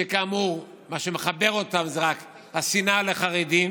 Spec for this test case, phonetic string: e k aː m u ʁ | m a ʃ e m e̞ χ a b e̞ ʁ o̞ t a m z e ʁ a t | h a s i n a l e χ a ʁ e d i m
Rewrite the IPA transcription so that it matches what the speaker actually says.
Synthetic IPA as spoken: e k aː m u ʁ | m a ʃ e m e̞ χ a b e̞ ʁ o̞ t a m z e ʁ a k | h a s i n a l e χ a ʁ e d i m